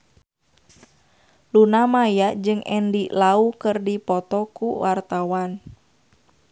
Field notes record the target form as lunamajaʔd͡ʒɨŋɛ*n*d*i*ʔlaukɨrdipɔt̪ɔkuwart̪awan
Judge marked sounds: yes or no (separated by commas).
yes, yes